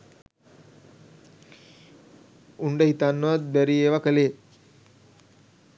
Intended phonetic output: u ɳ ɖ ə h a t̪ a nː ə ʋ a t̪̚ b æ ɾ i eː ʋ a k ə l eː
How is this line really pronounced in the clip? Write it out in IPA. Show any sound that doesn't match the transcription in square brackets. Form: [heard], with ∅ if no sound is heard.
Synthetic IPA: u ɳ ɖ ə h [i] t̪ a nː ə ʋ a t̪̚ b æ ɾ i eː ʋ a k ə l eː